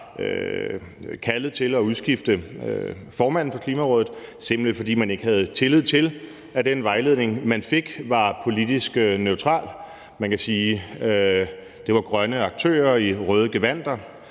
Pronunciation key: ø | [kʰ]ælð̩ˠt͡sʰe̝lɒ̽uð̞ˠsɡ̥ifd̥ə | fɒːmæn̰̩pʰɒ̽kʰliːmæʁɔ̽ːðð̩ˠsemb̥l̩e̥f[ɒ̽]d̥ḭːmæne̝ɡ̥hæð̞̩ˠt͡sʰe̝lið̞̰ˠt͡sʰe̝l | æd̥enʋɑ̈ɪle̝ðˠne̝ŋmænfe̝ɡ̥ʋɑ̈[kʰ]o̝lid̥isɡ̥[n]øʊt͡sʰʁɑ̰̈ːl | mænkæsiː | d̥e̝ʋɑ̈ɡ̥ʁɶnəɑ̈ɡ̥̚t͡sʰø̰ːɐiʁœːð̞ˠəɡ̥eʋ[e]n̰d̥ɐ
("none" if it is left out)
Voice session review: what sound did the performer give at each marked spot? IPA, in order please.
kʰ, ɒ̽, pʰ, n, æ

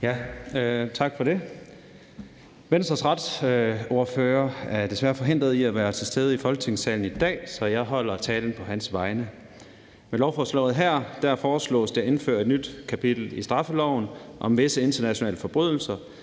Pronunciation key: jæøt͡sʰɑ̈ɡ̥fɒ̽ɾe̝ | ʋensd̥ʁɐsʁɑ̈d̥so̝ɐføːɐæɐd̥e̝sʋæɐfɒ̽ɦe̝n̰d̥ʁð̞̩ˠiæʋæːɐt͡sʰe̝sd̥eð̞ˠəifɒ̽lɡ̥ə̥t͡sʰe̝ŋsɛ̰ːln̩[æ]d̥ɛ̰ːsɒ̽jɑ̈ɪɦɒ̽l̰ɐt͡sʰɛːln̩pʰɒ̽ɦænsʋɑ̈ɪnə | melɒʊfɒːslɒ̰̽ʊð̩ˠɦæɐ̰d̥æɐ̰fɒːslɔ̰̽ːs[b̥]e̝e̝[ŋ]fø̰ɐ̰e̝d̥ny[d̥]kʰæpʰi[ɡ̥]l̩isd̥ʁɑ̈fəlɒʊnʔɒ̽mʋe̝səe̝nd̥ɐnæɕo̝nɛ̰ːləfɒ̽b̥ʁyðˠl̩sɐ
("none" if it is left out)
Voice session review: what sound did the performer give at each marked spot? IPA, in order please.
i, d̥, n, d̥, d̥

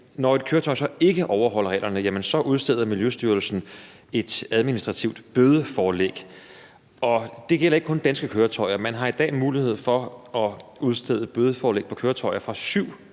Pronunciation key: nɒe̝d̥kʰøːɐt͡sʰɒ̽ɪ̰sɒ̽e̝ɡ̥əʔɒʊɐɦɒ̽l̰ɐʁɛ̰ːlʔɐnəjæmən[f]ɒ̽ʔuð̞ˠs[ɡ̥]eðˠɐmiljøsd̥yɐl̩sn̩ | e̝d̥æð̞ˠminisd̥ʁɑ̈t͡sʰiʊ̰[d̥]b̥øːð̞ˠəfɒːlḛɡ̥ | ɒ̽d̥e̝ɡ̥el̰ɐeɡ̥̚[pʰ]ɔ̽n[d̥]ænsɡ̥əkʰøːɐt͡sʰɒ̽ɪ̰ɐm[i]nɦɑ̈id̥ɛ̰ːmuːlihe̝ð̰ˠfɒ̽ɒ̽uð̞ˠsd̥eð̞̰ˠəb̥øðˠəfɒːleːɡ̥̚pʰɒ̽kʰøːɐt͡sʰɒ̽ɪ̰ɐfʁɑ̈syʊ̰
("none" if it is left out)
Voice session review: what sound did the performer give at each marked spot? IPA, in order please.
s, d̥, d̥, kʰ, d̥, æ

